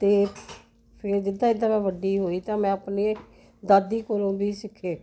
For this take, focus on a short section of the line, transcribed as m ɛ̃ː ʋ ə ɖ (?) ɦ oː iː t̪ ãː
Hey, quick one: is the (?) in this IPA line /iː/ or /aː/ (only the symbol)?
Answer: iː